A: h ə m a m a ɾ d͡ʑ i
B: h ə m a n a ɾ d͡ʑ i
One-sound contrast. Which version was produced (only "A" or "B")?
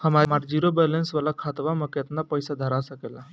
A